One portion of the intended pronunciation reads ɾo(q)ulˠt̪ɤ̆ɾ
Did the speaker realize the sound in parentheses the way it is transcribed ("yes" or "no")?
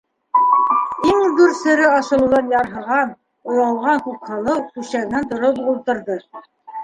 no